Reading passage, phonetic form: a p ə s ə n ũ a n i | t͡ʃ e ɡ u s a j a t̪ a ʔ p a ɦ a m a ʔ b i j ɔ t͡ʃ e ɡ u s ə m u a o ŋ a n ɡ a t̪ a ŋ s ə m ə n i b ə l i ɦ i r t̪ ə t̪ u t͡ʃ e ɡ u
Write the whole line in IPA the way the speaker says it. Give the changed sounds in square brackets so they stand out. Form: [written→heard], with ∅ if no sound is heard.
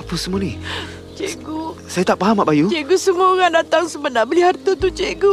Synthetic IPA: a p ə s ə [n→m] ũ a n i | t͡ʃ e ɡ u s a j a t̪ a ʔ p a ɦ a m a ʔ b [i→a] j [ɔ→u] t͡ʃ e ɡ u s ə m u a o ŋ a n [ɡ→d] a t̪ a ŋ s ə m ə n [i→a] b ə l i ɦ [i→a] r t̪ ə t̪ u t͡ʃ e ɡ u